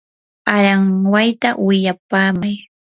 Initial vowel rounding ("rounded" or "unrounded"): unrounded